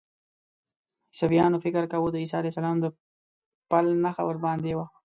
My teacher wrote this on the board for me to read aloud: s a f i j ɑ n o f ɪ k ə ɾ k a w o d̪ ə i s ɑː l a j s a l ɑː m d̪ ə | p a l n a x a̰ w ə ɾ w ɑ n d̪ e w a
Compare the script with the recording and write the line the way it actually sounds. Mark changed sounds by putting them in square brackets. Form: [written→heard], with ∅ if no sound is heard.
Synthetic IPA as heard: s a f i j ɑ n o f ɪ k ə ɾ k a w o d̪ ə i s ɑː l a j s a l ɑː m d̪ ə | p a l n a x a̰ w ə ɾ [w→b] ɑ n d̪ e w a